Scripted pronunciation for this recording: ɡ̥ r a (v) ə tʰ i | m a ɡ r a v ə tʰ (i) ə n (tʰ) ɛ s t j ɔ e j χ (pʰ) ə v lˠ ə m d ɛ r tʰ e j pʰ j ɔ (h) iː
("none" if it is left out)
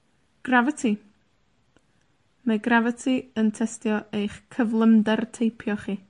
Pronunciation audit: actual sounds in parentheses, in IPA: v, i, tʰ, kʰ, χ

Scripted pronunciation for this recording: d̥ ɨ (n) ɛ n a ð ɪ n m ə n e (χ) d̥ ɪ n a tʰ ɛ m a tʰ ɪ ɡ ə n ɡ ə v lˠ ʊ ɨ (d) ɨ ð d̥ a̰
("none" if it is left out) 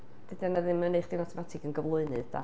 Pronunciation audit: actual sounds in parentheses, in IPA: d, χ, n

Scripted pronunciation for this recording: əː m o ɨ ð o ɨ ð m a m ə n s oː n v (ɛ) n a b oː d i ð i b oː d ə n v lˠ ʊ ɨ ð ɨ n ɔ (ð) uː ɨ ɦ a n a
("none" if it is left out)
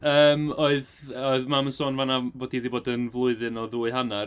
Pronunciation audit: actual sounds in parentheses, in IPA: a, ð

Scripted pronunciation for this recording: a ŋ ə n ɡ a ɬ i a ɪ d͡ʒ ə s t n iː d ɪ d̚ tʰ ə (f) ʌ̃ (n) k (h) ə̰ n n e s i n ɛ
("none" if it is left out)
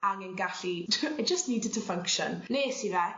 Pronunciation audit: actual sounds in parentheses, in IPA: f, ŋ, ʃ

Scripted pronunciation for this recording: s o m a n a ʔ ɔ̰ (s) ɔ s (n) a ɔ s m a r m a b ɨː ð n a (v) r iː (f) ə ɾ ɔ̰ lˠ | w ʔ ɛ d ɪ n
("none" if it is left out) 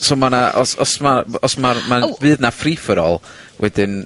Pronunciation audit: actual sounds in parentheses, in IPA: s, m, f, f

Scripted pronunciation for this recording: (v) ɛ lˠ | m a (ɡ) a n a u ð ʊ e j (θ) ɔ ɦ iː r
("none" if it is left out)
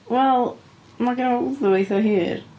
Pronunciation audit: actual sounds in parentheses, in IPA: w, ɡ, θ

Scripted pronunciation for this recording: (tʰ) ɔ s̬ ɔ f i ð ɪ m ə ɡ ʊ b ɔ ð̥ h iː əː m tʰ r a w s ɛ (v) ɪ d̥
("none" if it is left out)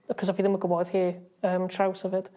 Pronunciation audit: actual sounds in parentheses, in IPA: kʰ, v

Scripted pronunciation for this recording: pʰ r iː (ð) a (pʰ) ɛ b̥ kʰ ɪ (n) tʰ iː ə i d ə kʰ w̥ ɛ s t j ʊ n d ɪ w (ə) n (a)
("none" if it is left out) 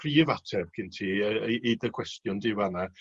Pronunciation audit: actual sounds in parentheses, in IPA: v, tʰ, n, a, a

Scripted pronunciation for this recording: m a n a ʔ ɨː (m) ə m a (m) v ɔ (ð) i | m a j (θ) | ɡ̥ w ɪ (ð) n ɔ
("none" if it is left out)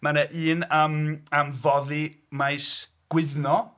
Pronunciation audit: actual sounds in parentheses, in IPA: n, m, ð, s, ð

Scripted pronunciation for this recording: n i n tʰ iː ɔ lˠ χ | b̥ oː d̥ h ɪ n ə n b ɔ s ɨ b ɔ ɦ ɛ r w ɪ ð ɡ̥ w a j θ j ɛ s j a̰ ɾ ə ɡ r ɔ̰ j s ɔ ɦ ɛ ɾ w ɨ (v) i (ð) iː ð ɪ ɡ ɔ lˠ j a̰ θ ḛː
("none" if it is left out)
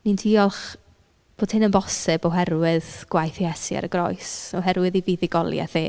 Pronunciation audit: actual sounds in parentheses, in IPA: ð, v

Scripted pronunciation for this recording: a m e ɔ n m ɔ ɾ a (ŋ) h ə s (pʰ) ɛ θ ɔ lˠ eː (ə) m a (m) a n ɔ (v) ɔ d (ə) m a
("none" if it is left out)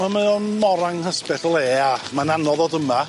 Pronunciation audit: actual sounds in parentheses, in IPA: ŋ, p, a, n, ð, ə

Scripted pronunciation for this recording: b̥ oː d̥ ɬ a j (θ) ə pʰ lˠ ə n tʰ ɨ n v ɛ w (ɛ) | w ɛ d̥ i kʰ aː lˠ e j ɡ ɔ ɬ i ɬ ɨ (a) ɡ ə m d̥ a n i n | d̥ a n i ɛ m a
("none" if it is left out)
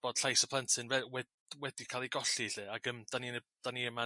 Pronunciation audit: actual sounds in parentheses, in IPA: s, ɛ, a

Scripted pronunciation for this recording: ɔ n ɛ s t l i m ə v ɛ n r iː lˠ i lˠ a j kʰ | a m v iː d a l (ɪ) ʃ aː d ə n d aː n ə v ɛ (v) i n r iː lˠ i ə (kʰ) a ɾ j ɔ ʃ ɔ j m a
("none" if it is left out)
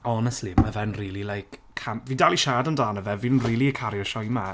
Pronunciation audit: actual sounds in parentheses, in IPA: i, v, kʰ

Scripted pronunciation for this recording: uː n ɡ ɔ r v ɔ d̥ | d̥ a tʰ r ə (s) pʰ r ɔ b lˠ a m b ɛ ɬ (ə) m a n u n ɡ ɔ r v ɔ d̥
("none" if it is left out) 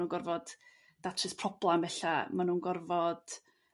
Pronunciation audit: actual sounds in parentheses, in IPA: s, a

